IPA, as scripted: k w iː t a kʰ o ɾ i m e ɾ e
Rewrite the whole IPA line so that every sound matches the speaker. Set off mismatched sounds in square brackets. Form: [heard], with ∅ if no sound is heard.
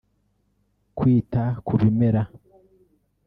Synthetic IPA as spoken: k w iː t a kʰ [u] ɾ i m e ɾ [a]